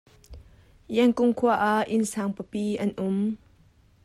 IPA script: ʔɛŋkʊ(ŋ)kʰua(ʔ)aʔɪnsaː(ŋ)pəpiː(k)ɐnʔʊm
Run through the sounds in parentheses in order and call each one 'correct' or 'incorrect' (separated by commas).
correct, correct, correct, incorrect